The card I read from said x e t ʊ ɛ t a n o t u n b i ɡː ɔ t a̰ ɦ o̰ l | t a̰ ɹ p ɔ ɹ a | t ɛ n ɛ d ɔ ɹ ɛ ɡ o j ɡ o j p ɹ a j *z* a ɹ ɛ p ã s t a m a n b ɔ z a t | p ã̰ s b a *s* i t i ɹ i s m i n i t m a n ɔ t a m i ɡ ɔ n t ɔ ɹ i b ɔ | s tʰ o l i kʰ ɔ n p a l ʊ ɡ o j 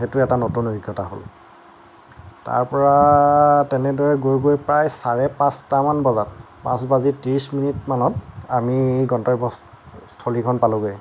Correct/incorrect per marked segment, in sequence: incorrect, incorrect

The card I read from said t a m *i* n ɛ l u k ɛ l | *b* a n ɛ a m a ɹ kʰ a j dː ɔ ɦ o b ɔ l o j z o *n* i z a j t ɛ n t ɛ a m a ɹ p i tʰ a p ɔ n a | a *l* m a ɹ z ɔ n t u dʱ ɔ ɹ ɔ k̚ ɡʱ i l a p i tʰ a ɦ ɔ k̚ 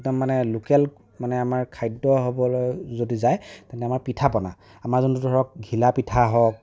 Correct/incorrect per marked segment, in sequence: incorrect, incorrect, incorrect, incorrect

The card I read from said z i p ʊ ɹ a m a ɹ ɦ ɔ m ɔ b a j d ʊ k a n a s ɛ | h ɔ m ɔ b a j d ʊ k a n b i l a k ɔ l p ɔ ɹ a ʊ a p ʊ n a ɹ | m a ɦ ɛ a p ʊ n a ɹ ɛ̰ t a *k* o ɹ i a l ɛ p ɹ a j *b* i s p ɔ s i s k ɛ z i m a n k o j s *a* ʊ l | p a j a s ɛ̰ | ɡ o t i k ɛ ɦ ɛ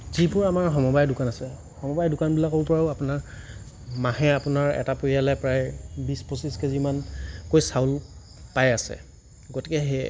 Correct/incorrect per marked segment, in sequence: incorrect, correct, correct

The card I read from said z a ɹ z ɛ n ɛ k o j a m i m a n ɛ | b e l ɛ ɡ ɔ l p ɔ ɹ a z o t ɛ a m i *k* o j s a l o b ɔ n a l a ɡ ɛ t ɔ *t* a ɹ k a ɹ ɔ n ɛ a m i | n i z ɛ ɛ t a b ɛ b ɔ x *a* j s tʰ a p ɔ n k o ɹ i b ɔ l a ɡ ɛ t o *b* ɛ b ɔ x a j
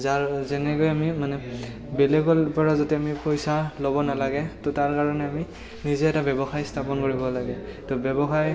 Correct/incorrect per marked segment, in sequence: incorrect, correct, correct, correct

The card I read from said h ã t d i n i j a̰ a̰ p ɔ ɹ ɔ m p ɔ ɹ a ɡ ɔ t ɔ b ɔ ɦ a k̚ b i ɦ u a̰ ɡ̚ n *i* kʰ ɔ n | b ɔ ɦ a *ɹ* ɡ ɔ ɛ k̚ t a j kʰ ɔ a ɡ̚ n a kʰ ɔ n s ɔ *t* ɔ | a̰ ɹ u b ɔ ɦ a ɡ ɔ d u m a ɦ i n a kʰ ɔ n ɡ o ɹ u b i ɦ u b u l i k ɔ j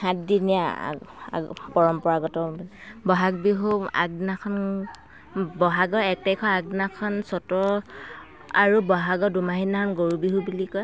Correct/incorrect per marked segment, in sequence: incorrect, incorrect, correct

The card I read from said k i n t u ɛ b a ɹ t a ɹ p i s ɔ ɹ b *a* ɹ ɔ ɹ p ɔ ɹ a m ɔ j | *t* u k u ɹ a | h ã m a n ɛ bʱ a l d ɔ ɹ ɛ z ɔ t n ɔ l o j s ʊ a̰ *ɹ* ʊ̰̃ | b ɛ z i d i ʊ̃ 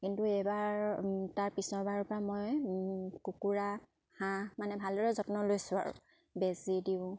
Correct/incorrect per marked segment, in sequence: correct, incorrect, correct

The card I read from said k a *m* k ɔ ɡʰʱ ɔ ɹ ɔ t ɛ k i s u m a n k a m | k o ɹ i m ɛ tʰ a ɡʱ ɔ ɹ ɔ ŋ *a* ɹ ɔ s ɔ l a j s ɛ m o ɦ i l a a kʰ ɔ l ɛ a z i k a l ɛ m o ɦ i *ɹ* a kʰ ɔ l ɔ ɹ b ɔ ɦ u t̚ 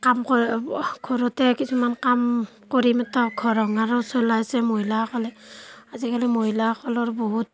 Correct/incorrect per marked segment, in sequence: correct, correct, incorrect

